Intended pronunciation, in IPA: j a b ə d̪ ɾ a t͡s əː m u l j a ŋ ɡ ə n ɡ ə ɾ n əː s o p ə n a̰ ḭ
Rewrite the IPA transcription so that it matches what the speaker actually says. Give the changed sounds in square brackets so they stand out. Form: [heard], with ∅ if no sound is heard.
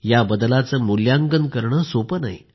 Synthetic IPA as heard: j a b ə d̪ [l] a t͡s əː m u l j a ŋ ɡ ə n [k] ə ɾ [ɳ] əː s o p ə n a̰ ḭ